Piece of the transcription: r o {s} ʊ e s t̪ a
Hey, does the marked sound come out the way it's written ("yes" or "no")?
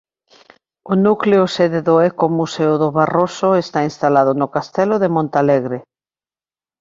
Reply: yes